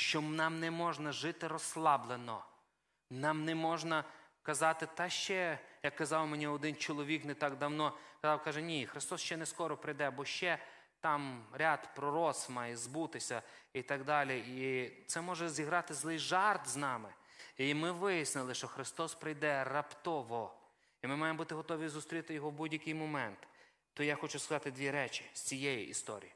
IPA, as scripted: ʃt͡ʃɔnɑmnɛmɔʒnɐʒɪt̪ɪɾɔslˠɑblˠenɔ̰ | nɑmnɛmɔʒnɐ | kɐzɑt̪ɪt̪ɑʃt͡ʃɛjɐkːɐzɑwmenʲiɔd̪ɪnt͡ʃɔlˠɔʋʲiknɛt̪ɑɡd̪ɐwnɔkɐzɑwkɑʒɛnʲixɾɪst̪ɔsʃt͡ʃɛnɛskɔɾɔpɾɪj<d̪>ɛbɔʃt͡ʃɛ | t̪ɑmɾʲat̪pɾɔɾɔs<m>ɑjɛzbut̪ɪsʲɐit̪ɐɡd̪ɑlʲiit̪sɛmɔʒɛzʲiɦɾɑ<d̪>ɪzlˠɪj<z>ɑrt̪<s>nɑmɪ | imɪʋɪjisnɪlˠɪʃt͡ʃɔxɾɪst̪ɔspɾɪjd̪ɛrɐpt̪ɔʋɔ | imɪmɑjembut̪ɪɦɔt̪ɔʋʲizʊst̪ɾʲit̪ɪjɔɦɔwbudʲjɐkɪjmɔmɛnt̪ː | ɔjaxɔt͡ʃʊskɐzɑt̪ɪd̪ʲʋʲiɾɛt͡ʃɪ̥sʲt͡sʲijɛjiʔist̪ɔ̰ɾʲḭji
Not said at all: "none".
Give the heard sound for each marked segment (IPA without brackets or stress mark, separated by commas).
d̪, m, t̪, ʒ, z